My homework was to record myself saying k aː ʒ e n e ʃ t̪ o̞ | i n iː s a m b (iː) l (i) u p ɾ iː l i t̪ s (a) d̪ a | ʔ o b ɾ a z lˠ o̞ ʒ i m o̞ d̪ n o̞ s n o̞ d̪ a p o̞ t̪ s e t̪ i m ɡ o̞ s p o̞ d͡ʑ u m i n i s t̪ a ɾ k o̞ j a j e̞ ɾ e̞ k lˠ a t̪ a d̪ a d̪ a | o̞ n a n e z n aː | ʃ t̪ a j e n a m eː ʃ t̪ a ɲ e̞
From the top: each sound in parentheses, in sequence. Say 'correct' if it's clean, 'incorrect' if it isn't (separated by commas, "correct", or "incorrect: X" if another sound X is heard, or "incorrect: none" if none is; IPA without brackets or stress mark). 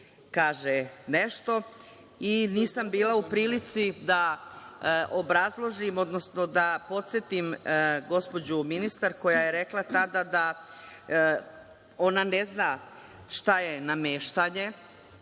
correct, incorrect: a, incorrect: i